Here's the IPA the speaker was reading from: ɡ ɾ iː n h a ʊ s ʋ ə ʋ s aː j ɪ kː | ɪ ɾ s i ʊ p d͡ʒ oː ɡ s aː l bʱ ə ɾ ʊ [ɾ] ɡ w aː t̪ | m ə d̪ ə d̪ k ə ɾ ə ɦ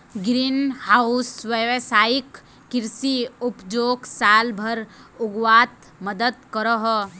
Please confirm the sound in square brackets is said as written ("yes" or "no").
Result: no